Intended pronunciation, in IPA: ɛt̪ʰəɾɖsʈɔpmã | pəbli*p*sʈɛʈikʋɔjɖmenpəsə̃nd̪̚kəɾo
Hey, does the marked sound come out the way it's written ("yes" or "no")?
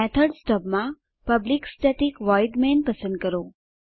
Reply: no